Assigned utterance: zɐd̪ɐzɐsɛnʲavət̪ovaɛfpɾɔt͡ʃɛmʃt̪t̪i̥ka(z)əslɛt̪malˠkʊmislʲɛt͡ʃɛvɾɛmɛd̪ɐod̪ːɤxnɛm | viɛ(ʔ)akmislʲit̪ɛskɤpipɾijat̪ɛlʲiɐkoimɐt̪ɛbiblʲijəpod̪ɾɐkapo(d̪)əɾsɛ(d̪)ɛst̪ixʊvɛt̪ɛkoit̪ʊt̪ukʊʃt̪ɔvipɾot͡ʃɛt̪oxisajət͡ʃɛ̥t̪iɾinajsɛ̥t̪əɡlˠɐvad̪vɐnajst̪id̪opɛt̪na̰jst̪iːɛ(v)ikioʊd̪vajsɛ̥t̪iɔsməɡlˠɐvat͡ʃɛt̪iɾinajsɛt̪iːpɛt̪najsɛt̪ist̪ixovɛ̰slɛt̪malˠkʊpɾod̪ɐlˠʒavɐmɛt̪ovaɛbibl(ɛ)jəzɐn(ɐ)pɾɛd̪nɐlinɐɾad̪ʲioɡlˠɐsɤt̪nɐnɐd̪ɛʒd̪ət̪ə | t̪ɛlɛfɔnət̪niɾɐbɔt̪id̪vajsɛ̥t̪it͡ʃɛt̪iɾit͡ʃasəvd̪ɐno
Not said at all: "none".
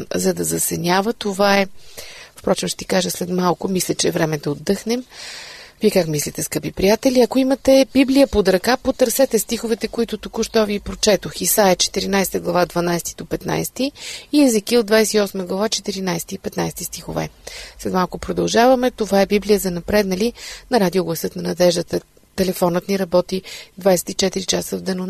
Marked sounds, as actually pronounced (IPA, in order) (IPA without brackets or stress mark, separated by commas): ʒ, k, t̪, t̪, z, i, ɐ